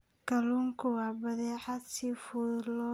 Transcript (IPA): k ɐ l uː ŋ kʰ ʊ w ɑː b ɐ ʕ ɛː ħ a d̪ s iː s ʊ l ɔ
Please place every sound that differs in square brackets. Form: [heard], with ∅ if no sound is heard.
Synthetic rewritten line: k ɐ l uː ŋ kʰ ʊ w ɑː b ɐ [ð] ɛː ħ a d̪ s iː [f] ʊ l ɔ